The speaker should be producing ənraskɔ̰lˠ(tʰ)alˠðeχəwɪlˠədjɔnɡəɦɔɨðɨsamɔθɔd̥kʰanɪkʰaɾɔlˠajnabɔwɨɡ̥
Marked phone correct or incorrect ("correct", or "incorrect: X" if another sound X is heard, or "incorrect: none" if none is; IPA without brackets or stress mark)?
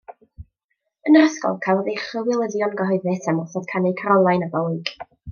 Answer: incorrect: kʰ